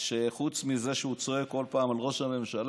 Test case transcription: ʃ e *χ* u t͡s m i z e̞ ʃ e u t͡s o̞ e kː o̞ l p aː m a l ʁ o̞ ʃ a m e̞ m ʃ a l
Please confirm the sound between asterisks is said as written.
yes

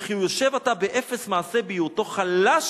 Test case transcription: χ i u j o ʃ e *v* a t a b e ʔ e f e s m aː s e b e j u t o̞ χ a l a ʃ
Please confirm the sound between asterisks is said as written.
yes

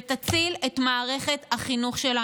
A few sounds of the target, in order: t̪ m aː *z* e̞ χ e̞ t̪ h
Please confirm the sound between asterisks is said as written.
no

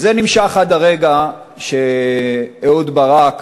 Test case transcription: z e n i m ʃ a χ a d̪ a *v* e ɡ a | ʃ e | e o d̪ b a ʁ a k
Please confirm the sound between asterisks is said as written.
no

